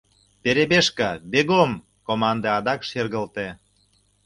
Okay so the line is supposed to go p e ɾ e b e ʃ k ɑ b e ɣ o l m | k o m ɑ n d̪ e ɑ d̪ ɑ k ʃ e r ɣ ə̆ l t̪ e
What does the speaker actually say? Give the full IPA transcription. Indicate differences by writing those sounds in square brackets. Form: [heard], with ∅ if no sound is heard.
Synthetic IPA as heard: p e ɾ e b e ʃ k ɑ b e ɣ o [∅] m | k o m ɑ n d̪ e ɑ d̪ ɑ k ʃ e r ɣ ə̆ l t̪ e